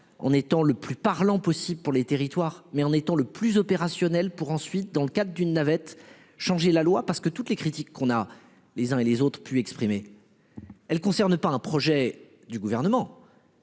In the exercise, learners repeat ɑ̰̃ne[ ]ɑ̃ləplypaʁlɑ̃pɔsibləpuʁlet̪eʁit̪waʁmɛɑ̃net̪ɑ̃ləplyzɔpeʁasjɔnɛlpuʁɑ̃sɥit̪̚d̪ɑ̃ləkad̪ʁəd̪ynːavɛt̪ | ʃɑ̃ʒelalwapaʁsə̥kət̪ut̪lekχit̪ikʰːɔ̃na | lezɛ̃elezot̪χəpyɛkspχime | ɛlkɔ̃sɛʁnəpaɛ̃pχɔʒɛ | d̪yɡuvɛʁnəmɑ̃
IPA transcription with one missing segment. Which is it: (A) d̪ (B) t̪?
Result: B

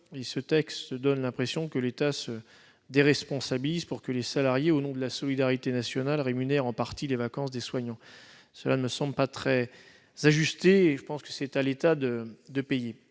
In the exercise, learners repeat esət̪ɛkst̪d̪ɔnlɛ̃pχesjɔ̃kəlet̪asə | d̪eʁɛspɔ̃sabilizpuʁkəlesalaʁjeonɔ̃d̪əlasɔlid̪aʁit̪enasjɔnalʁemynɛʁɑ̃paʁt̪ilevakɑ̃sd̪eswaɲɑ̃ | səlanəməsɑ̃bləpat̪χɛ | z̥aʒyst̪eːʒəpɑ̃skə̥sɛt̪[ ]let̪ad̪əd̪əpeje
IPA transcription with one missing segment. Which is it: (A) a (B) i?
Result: A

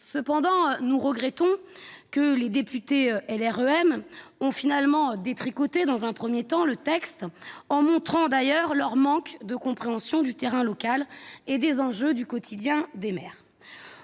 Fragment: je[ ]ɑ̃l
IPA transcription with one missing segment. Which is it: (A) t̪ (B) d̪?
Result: A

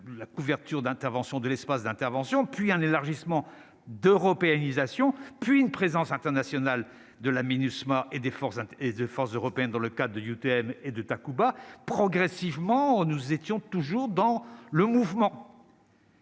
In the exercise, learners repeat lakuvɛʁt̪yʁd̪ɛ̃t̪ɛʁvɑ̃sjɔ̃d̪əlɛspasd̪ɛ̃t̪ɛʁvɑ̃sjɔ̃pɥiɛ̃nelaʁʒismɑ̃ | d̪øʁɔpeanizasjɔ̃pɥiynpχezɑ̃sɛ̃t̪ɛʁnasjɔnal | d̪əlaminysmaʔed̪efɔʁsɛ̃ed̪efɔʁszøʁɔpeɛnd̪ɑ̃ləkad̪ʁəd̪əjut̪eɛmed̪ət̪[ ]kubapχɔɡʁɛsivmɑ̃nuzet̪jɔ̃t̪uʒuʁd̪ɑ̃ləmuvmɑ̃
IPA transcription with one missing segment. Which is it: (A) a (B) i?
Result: A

